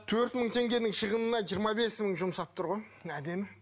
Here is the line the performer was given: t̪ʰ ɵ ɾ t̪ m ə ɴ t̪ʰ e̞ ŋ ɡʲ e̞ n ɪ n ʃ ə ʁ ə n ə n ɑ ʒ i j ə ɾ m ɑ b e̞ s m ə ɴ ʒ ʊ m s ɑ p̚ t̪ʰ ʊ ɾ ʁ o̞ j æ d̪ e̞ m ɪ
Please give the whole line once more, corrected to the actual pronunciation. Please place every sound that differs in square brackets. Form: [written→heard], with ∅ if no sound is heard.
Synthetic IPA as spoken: t̪ʰ ɵ ɾ t̪ m ə ɴ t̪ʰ e̞ ŋ ɡʲ e̞ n ɪ [n→ŋ] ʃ ə ʁ ə n ə n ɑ ʒ i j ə ɾ m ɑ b e̞ s m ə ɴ ʒ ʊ m s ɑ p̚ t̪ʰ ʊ ɾ ʁ o̞ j æ d̪ e̞ m ɪ